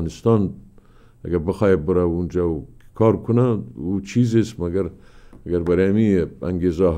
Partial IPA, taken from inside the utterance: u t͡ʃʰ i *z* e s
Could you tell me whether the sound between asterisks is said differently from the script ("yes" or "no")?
no